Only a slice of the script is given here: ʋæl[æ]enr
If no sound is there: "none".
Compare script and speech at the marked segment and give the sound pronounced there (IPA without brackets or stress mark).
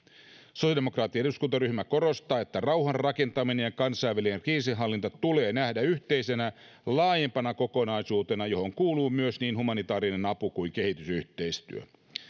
i